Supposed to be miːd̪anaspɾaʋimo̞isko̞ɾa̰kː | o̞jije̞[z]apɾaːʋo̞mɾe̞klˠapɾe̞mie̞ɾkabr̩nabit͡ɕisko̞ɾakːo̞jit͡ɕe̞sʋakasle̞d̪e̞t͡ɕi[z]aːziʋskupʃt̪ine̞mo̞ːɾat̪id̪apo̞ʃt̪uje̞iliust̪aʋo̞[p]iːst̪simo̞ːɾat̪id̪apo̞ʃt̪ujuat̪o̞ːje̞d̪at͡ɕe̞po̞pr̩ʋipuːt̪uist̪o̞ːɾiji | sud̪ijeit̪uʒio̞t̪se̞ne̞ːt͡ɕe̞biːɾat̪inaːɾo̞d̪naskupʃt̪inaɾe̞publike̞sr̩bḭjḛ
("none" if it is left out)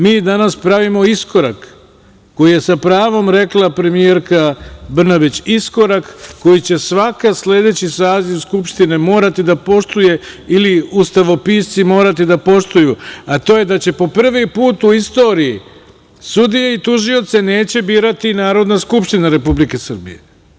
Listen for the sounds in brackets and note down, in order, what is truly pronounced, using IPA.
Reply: s, s, p

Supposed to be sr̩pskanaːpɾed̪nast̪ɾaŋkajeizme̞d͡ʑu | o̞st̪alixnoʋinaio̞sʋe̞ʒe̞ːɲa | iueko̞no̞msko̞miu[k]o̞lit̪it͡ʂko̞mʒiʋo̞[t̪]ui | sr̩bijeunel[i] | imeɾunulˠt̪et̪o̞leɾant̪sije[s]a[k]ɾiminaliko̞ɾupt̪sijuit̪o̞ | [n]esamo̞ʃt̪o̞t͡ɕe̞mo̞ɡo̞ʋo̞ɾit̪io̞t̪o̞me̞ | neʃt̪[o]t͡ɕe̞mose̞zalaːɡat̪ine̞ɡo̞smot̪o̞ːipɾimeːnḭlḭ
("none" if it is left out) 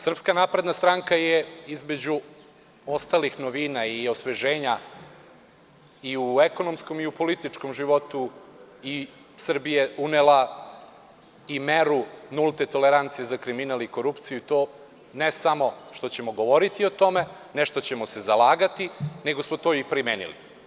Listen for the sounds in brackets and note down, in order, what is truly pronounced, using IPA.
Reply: p, t̪, a, z, k, n, o

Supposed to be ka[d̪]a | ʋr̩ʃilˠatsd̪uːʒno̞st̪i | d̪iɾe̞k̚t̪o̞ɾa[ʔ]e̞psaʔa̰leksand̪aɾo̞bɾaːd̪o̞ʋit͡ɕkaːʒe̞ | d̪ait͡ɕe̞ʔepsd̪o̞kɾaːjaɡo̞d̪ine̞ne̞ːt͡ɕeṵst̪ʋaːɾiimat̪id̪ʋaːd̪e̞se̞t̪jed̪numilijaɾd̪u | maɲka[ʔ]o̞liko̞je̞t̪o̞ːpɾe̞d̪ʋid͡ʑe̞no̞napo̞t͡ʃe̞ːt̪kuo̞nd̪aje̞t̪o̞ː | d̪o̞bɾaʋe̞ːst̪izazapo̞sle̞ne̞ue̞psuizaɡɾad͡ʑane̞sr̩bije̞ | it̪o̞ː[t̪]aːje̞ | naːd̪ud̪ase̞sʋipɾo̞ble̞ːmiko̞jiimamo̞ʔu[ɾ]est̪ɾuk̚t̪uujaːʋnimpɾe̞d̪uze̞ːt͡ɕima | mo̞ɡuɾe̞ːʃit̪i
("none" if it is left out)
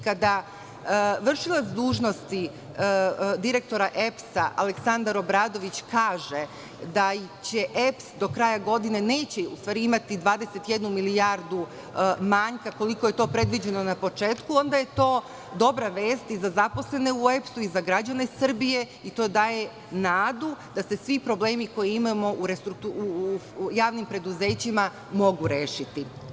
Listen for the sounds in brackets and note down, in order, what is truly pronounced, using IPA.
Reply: d̪, ʔ, k, d̪, ɾ

